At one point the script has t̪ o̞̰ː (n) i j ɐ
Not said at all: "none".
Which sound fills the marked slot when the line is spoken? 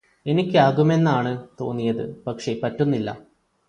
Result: nː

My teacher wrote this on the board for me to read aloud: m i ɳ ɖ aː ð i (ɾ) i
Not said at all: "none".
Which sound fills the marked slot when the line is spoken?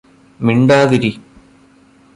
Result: ɾ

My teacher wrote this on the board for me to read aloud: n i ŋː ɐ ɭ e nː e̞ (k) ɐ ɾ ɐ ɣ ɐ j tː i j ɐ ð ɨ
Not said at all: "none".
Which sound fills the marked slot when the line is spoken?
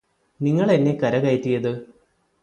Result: k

